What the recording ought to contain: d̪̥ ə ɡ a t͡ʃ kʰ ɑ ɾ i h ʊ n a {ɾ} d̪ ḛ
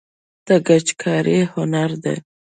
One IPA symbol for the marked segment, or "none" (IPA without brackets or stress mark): ɾ